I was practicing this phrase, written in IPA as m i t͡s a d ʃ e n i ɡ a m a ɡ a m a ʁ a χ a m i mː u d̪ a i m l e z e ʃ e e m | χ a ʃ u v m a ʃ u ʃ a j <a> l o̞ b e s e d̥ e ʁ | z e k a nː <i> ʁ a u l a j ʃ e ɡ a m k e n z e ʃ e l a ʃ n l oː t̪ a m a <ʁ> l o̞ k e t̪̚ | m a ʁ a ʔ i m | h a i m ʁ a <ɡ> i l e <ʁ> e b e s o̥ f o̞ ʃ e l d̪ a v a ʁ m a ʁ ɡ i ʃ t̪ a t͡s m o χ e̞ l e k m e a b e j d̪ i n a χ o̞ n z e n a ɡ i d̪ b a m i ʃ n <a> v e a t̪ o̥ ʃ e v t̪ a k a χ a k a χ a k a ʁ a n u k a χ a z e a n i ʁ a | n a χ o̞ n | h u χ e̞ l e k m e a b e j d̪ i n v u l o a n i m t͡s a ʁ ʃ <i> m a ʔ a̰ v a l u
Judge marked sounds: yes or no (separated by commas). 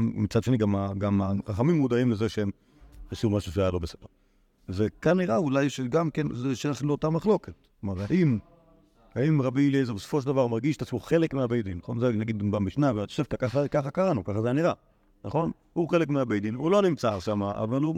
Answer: yes, yes, no, no, no, yes, no